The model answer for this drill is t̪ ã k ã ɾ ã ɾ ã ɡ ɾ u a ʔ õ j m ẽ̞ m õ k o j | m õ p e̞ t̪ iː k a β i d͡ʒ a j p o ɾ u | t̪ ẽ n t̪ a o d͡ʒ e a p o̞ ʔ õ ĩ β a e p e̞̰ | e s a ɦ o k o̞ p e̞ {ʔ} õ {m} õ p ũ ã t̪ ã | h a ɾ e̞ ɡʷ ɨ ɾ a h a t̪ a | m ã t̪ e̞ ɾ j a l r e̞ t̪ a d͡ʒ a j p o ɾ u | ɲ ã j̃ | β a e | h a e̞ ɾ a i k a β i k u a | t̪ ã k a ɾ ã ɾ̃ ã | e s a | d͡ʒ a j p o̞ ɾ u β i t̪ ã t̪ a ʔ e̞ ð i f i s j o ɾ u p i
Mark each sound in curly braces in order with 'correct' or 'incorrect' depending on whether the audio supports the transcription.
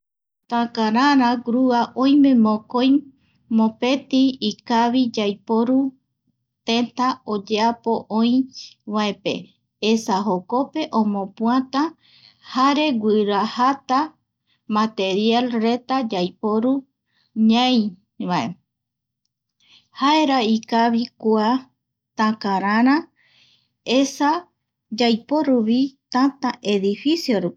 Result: correct, correct

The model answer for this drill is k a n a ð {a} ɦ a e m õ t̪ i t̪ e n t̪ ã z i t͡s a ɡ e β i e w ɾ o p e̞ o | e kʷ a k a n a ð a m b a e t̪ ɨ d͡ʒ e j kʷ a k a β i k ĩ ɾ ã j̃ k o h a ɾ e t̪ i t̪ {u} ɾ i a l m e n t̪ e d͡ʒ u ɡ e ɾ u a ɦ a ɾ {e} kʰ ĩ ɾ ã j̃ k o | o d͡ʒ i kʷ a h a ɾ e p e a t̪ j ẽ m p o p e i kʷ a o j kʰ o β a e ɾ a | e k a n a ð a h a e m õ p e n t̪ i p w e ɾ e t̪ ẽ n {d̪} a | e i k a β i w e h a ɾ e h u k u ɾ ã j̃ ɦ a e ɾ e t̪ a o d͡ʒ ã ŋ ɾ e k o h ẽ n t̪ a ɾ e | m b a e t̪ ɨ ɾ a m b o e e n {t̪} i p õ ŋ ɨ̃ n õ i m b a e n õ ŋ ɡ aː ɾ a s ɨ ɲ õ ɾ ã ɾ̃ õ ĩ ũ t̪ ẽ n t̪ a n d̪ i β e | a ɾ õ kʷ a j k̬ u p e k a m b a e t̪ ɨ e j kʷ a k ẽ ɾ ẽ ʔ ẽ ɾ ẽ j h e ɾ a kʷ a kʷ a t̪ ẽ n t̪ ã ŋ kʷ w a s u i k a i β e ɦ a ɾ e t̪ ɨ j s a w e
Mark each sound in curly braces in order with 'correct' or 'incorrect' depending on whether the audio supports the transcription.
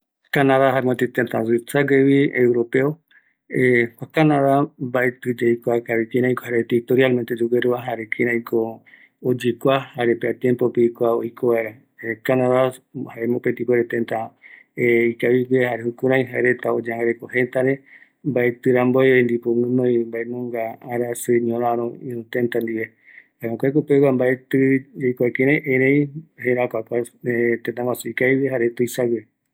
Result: correct, incorrect, correct, incorrect, incorrect

